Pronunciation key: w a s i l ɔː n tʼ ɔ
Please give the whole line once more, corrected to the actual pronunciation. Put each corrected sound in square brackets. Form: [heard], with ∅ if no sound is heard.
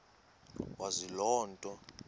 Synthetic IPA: w a [z] i l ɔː n tʼ ɔ